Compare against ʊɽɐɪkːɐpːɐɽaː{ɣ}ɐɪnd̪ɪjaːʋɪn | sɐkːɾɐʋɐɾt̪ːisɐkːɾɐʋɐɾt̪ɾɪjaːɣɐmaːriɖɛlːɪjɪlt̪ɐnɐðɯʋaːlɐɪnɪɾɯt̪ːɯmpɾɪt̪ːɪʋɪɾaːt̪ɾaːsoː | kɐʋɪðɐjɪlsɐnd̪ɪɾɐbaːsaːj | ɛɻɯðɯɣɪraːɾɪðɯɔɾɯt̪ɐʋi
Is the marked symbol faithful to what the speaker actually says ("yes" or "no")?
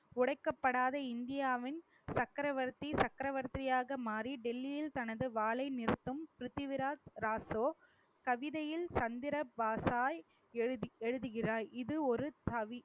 no